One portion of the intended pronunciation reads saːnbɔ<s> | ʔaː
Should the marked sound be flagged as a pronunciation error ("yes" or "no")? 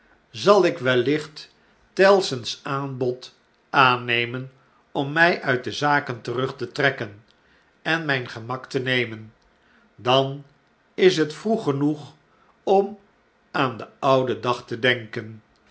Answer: yes